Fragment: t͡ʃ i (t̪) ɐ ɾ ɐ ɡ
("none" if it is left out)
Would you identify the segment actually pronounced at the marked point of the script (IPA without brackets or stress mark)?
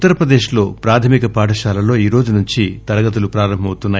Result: t̪